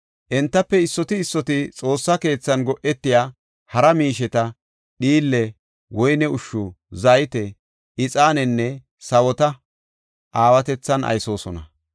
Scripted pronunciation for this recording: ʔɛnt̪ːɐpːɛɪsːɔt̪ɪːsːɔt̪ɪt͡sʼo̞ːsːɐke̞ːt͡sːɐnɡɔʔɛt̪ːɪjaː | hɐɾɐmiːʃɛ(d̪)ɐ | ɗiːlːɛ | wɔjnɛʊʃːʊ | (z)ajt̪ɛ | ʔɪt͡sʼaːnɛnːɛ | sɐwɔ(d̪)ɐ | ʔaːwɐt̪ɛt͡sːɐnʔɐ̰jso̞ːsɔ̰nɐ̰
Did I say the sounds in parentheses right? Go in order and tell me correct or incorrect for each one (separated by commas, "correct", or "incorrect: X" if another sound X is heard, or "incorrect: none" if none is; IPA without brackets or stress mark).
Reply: incorrect: t̪, correct, incorrect: t̪